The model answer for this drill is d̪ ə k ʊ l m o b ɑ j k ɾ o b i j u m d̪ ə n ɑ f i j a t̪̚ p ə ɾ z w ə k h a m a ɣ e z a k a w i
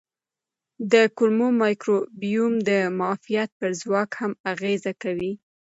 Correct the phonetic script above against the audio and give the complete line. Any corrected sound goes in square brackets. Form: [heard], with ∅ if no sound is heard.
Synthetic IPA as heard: d̪ ə k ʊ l m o [m] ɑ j k ɾ o b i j u m d̪ ə [m] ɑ f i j a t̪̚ p ə ɾ z w [ɑ] k h a m a ɣ e z a k a w i